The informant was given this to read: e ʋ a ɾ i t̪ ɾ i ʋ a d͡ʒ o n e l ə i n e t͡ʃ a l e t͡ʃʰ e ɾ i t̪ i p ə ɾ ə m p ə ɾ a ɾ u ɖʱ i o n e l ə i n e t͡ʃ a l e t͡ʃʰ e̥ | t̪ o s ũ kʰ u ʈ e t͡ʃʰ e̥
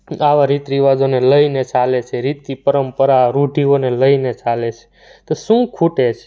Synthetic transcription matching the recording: a ʋ a ɾ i t̪ ɾ i ʋ a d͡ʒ o n e l ə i n e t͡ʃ a l e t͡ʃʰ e ɾ i t̪ i p ə ɾ ə m p ə ɾ a ɾ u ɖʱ i o n e l ə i n e t͡ʃ a l e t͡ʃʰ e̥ | t̪ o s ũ kʰ u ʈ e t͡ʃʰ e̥